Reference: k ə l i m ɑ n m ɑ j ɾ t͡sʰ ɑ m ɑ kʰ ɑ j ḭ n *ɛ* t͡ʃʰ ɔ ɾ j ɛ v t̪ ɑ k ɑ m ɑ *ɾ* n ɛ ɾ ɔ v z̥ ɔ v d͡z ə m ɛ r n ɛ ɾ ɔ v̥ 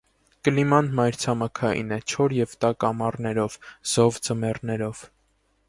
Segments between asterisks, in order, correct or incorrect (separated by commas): correct, incorrect